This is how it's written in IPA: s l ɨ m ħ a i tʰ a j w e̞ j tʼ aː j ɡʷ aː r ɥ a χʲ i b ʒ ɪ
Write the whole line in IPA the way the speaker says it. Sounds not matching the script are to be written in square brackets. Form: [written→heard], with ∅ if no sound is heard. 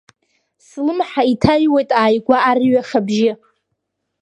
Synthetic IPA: s l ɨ m ħ a i tʰ a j w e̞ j tʼ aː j ɡʷ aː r ɥ a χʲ [i→a] b ʒ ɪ